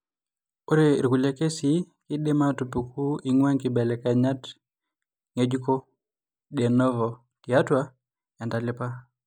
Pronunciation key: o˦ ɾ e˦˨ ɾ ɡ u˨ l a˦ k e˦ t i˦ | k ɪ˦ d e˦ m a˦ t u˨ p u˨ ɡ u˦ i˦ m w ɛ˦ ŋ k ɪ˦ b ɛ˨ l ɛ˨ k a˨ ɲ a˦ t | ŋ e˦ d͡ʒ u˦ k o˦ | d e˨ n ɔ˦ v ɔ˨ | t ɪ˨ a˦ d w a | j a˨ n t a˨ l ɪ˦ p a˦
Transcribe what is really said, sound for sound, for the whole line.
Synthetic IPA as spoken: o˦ ɾ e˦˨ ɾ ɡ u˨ l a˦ k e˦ s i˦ | k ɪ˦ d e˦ m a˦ t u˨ p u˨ k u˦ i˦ ŋ w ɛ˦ ŋ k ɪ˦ b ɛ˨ l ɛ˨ k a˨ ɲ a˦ t | ŋ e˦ d͡ʒ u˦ k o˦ | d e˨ n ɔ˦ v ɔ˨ | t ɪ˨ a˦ t w a | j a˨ n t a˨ l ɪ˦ p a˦